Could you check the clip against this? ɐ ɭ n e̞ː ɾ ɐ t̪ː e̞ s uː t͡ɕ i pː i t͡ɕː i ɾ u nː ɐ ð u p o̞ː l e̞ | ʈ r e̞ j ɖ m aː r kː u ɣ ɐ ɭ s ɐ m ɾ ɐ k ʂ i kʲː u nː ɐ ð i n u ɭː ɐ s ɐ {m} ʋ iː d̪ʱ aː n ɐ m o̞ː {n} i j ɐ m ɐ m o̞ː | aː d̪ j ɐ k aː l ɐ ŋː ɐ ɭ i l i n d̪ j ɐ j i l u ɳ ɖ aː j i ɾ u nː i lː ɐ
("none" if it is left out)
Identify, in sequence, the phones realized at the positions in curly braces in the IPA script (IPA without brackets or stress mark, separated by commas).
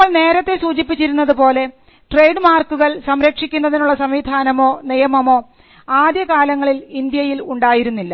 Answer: m, n